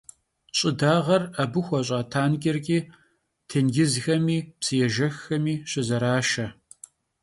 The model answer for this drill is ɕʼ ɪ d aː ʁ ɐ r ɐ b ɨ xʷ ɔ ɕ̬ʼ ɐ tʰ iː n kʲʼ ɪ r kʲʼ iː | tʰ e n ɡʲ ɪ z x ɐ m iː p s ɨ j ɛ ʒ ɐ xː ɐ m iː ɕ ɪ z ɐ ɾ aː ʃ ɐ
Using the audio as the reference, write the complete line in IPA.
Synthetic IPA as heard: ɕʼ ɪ d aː ʁ ɐ r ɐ b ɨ xʷ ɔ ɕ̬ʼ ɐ tʰ aː n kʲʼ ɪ r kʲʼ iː | tʰ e n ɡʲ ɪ z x ɐ m iː p s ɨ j ɛ ʒ ɐ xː ɐ m iː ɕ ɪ z ɐ ɾ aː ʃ ɐ